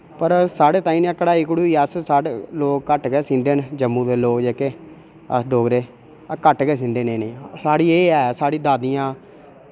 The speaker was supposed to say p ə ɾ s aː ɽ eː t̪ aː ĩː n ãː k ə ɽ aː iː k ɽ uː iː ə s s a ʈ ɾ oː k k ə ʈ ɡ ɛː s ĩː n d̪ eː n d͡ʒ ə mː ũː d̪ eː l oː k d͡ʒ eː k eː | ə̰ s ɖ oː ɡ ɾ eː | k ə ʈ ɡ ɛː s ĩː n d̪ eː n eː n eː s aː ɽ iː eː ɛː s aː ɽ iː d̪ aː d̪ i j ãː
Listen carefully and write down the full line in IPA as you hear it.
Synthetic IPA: p ə ɾ s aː ɽ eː t̪ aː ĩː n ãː k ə ɽ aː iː k ɽ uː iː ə s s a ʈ l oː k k ə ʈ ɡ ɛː s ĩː n d̪ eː n d͡ʒ ə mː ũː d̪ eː l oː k d͡ʒ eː k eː | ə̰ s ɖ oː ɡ ɾ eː | k ə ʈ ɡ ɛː s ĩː n d̪ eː n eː n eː s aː ɽ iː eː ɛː s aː ɽ iː d̪ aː d̪ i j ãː